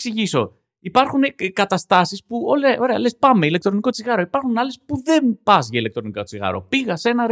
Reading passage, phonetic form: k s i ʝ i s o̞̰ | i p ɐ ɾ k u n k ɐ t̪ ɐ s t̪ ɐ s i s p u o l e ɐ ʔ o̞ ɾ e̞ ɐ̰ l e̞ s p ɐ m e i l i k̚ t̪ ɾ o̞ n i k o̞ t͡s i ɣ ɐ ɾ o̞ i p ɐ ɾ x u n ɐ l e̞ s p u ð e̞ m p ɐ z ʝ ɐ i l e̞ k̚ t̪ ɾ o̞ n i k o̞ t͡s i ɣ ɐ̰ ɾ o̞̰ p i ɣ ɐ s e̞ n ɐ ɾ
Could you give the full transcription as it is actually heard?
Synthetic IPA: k s i ʝ i s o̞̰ | i p ɐ ɾ x u n k ɐ t̪ ɐ s t̪ ɐ s i s p u o l e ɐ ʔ o̞ ɾ e̞ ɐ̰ l e̞ s p ɐ m e i l e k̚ t̪ ɾ o̞ n i k o̞ t͡s i ɣ ɐ ɾ o̞ i p ɐ ɾ x u n ɐ l e̞ s p u ð e̞ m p ɐ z ʝ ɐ i l e̞ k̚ t̪ ɾ o̞ n i k o̞ t͡s i ɣ ɐ̰ ɾ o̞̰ p i ɣ ɐ s e̞ n ɐ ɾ